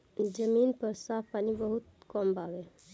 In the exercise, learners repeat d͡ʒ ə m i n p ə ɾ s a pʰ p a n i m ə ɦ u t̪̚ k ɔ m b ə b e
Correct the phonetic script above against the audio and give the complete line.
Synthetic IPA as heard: d͡ʒ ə m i n p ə ɾ s a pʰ p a n i b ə ɦ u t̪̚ k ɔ m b a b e

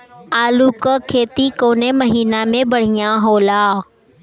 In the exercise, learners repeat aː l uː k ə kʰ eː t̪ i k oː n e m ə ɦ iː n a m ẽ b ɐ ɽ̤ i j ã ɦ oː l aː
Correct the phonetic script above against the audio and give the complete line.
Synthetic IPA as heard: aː l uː k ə kʰ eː t̪ i k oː n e m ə ɦ iː n a m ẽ b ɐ ɽ̤ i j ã ɦ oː l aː

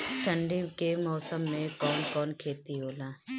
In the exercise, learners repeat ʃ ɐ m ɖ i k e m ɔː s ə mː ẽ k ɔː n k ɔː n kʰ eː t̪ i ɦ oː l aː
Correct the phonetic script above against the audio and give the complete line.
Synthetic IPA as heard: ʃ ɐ ɳ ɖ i k e m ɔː s ə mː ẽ k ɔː n k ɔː n kʰ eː t̪ i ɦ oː l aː

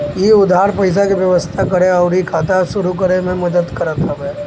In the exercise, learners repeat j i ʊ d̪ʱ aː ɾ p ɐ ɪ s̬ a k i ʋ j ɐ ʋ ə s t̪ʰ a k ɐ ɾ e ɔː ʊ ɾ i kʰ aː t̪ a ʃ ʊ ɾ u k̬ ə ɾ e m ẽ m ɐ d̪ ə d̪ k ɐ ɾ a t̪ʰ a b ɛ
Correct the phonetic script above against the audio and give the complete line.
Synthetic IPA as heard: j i ʊ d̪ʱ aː ɾ p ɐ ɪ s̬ a k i ʋ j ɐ ʋ ə s t̪ʰ a k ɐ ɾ e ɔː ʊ ɾ i kʰ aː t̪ a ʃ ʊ ɾ u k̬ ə ɾ e m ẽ m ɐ d̪ ə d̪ k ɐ ɾ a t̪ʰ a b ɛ

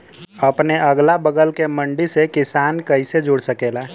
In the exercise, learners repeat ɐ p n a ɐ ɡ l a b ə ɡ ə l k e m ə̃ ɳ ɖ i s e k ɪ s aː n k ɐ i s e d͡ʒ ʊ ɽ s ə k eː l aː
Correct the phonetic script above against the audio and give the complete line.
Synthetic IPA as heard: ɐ p n e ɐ ɡ l a b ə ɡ ə l k e m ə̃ ɳ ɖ i s e k ɪ s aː n k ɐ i s e d͡ʒ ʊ ɽ s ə k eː l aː

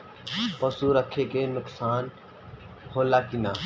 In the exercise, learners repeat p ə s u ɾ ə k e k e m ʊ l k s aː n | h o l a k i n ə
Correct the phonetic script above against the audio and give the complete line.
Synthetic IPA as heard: p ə s u ɾ ə kʰ e k e n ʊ k s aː n | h o l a k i n a

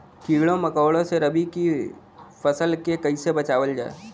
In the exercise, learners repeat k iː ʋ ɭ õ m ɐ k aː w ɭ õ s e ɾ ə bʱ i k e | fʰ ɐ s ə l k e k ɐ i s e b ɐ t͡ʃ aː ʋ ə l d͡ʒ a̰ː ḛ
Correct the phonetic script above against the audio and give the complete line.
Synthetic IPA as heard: k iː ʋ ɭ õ m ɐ k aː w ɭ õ s e ɾ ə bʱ i k i | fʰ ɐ s ə l k e k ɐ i s e b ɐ t͡ʃ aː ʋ ə l d͡ʒ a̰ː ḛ

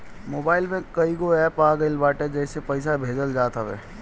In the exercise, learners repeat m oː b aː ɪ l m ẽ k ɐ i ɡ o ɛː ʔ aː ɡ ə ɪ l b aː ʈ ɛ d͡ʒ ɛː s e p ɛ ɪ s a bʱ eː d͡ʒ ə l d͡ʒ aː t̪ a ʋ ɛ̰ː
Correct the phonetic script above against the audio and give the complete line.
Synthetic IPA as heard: m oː b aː ɪ l m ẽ k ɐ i ɡ o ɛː p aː ɡ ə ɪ l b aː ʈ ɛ d͡ʒ ɛː s e p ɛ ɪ s a bʱ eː d͡ʒ ə l d͡ʒ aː t̪ a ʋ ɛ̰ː

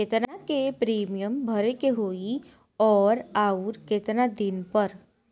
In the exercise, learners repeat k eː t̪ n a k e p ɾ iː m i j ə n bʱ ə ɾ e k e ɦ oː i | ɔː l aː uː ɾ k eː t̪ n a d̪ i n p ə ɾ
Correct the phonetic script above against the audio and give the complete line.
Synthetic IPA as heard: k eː t̪ n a k e p ɾ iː m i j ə m bʱ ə ɾ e k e ɦ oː i | ɔː ɾ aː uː ɾ k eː t̪ n a d̪ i n p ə ɾ

